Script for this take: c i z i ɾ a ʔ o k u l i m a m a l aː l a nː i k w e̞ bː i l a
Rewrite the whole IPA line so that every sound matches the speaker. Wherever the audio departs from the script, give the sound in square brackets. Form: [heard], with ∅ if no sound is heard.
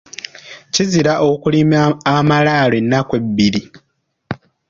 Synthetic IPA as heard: c i z i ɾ a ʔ o k u l i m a m a l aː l [e] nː [a] k w e̞ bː i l [i]